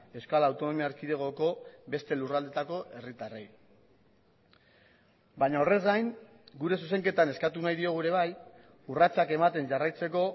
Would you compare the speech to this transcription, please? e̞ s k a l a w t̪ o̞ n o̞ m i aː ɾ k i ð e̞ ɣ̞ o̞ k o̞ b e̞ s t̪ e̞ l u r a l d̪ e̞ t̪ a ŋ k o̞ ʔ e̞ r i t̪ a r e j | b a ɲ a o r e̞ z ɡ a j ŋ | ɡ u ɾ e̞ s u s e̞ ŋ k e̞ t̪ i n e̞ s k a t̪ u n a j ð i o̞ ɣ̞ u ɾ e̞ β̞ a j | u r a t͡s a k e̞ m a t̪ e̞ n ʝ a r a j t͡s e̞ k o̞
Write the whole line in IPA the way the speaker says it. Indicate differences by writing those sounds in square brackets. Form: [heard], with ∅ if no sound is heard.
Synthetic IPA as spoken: e̞ s k a l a w t̪ o̞ n o̞ m i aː ɾ k i ð e̞ ɣ̞ o̞ k o̞ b e̞ s t̪ e̞ l u r a l d̪ e̞ t̪ a [∅] k o̞ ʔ e̞ r i t̪ a r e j | b a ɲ a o r e̞ z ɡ a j ŋ | ɡ u ɾ e̞ s u s e̞ ŋ k e̞ t̪ [a] n e̞ s k a t̪ u n a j ð i o̞ ɣ̞ u ɾ e̞ β̞ a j | u r a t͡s a k e̞ m a t̪ e̞ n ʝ a r a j t͡s e̞ k o̞